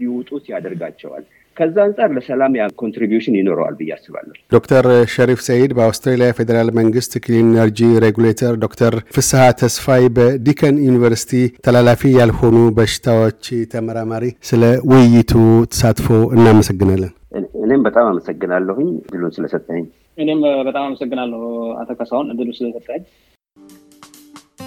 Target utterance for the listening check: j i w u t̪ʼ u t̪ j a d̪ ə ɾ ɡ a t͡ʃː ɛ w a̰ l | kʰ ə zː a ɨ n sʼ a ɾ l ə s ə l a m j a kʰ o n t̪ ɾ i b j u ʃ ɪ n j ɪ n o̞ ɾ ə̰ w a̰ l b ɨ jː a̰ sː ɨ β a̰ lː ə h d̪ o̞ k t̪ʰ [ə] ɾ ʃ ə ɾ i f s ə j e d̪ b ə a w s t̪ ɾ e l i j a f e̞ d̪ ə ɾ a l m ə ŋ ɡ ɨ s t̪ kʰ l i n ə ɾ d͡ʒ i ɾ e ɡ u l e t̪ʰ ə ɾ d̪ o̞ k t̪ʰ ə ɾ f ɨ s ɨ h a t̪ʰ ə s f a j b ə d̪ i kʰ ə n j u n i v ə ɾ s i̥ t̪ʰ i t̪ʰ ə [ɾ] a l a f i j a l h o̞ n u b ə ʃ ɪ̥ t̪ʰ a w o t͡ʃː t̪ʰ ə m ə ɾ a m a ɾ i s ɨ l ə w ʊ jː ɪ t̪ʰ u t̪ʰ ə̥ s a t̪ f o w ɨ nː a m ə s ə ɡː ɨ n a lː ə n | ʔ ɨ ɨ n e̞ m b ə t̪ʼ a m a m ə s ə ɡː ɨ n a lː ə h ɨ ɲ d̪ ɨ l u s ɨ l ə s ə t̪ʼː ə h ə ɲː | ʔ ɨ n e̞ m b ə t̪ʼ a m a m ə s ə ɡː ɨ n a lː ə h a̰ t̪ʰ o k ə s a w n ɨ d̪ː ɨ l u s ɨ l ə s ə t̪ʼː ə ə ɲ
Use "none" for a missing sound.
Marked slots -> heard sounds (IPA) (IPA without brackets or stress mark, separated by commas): ə, l